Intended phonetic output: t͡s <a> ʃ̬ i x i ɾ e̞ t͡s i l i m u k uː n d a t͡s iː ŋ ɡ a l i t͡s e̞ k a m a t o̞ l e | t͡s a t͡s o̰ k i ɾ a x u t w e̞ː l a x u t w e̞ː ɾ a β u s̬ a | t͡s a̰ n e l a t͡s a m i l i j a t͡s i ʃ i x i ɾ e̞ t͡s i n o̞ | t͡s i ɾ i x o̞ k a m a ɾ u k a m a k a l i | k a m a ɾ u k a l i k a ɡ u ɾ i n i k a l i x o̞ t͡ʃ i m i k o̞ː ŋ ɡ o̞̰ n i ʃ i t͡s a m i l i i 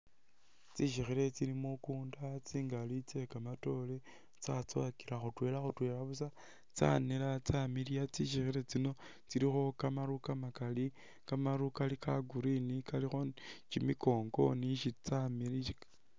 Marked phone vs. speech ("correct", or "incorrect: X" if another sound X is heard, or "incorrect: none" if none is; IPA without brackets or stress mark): incorrect: i